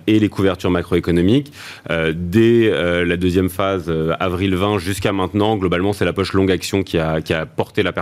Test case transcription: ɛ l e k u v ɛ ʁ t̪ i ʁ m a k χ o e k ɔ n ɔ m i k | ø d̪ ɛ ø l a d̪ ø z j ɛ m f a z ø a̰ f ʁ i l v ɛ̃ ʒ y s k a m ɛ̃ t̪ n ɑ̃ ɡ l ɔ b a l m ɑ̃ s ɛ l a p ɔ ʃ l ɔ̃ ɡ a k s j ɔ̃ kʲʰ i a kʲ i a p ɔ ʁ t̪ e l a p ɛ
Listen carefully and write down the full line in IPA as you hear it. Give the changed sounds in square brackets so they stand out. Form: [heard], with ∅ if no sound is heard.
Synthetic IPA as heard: [e] l e k u v ɛ ʁ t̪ [y] ʁ m a k χ o e k ɔ n ɔ m i k | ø d̪ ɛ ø l a d̪ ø z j ɛ m f a z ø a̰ [v] ʁ i l v ɛ̃ ʒ y s k a m ɛ̃ t̪ n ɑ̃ ɡ l ɔ b a l m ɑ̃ s ɛ l a p ɔ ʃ l ɔ̃ ɡ a k s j ɔ̃ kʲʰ i a kʲ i a p ɔ ʁ t̪ e l a p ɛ